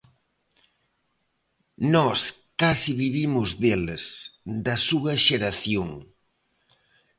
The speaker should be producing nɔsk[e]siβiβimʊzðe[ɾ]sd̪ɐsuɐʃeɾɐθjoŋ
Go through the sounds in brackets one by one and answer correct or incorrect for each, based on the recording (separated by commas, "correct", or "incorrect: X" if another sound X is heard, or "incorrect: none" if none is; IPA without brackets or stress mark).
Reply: incorrect: a, incorrect: l